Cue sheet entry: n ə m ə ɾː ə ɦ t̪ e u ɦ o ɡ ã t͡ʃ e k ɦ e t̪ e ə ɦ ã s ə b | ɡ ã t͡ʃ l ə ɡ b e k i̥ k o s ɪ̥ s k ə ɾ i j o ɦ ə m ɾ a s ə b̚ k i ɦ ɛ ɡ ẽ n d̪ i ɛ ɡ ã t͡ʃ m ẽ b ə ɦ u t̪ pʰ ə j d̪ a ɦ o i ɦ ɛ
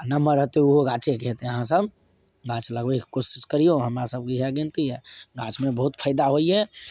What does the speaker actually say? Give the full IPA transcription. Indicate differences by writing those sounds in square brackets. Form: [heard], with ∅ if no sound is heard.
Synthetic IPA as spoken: n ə m ə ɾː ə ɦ t̪ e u ɦ o ɡ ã t͡ʃ e k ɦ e t̪ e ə ɦ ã s ə b | ɡ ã t͡ʃ l ə ɡ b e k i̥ k o s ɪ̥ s k ə ɾ i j o ɦ ə m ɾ a s ə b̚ k i ɦ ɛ ɡ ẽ n [t̪] i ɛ ɡ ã t͡ʃ m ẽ b ə ɦ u t̪ pʰ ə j d̪ a ɦ o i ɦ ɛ